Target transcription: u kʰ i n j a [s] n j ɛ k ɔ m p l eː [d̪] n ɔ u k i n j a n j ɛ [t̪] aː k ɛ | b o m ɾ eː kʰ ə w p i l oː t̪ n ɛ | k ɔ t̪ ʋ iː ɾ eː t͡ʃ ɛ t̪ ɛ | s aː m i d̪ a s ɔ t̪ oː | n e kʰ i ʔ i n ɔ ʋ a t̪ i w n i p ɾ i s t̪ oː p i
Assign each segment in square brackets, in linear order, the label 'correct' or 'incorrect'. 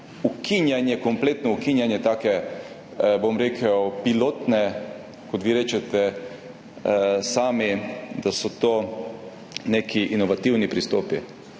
incorrect, incorrect, correct

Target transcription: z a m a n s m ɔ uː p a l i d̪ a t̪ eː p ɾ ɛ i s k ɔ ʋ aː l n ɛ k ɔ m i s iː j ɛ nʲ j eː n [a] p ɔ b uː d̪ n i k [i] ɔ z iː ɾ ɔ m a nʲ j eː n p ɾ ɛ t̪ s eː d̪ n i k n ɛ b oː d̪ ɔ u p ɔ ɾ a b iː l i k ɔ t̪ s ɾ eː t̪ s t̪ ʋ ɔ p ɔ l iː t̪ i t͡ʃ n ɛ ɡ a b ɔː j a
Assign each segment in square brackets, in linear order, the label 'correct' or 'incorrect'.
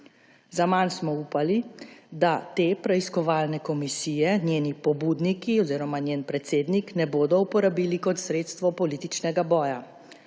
incorrect, correct

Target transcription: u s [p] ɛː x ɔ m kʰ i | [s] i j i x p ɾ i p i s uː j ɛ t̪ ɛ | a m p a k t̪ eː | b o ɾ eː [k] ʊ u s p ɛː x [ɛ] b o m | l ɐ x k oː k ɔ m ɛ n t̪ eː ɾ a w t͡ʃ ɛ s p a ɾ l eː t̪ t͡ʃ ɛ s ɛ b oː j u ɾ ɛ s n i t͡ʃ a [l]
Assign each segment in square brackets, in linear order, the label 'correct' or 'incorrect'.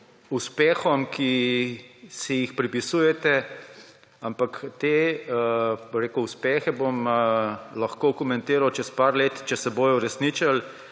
correct, correct, correct, correct, correct

